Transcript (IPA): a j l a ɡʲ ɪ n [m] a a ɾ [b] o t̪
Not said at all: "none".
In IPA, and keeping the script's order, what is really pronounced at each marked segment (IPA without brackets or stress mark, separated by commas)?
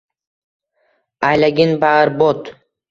b, b